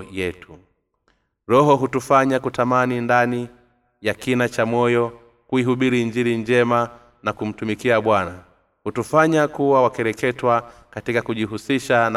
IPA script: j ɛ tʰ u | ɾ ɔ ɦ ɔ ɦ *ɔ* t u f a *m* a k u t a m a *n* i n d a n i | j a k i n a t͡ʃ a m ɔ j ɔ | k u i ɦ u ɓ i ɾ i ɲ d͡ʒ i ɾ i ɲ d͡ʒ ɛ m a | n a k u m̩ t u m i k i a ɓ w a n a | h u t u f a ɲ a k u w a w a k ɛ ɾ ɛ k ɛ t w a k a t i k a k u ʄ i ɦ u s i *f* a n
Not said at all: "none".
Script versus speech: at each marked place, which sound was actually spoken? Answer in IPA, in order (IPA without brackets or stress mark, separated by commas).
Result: u, ɲ, n, ʃ